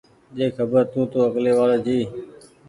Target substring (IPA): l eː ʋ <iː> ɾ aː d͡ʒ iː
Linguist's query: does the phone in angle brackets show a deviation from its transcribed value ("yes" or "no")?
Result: yes